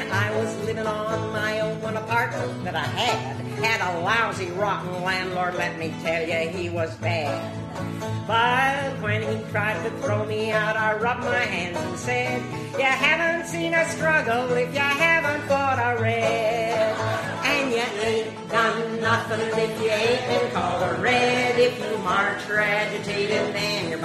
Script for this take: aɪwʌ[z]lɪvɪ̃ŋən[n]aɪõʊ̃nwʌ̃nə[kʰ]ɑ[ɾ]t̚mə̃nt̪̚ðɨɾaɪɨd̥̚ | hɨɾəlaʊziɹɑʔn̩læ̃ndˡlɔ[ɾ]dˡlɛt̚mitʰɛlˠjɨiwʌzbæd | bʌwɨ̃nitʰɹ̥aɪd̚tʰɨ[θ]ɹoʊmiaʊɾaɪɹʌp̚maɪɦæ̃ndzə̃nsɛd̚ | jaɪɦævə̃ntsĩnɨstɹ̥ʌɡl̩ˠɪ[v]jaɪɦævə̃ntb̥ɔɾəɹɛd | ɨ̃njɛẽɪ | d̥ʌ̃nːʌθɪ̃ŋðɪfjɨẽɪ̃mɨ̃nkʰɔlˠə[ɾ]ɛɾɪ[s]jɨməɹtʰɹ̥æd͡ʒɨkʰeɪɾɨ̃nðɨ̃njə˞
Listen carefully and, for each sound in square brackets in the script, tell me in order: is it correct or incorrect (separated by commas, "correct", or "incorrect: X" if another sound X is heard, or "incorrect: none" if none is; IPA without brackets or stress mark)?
correct, incorrect: m, incorrect: pʰ, incorrect: ɹ, incorrect: ɹ, correct, incorrect: f, incorrect: ɹ, incorrect: f